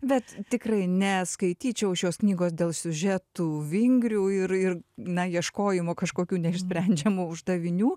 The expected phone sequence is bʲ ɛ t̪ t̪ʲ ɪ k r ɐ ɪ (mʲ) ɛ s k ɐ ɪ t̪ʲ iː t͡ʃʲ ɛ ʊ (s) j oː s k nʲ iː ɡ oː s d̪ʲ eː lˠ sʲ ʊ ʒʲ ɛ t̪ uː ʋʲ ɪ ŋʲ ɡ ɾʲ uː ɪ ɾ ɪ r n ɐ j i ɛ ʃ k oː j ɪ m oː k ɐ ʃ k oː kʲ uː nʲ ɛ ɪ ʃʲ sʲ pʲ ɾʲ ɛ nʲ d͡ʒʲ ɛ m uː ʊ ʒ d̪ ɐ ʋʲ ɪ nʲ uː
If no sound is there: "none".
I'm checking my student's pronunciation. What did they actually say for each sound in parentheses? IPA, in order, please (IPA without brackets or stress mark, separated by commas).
nʲ, ʃ